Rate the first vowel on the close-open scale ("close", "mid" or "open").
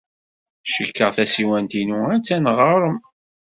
mid